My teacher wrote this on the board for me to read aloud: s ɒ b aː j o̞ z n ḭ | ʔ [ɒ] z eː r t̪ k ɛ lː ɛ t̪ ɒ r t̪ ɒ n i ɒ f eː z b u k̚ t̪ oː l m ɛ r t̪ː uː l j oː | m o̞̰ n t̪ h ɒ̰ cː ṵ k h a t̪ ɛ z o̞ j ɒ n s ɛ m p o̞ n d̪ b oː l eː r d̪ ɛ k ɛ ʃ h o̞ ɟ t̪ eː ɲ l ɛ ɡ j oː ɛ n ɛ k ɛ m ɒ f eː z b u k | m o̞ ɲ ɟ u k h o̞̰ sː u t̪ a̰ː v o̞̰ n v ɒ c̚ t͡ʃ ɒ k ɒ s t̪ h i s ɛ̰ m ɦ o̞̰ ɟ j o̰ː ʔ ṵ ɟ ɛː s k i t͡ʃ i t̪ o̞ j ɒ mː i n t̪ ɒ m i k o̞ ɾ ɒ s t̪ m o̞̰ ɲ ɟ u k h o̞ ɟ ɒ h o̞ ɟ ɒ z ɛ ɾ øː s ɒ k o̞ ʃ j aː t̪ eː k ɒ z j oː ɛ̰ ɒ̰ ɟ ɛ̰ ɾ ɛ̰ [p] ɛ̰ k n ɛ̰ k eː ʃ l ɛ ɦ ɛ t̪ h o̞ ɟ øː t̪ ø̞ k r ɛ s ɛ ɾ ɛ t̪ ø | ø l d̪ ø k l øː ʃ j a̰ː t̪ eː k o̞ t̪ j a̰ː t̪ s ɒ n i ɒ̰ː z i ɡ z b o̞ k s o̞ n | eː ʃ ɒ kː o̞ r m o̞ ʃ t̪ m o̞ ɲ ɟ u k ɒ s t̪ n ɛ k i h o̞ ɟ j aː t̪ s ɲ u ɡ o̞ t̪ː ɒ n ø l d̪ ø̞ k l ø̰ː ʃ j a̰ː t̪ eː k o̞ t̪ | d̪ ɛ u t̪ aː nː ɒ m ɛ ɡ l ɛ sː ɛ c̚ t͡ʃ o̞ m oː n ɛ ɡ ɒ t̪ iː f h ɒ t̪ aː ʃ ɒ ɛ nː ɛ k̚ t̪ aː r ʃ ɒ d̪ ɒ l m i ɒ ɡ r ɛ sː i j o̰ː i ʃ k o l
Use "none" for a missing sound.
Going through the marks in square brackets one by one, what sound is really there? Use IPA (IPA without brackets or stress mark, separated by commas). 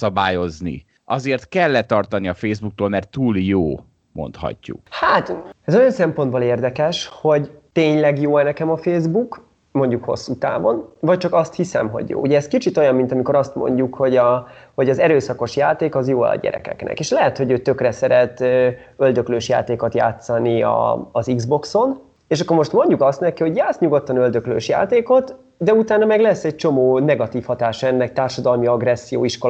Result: ɒ, k